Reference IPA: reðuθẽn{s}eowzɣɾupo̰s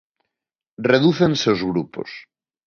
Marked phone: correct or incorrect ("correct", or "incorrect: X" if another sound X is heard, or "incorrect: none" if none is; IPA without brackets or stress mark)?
correct